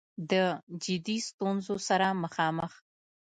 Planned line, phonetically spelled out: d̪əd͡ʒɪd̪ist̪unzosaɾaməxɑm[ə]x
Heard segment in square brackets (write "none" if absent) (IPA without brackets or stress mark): ə